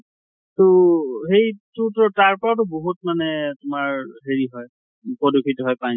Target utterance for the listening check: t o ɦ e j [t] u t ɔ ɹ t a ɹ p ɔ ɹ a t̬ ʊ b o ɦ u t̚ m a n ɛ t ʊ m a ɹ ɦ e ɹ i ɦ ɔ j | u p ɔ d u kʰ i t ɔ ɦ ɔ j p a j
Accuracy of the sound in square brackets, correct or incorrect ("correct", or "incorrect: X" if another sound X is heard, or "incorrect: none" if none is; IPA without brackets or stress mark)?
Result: correct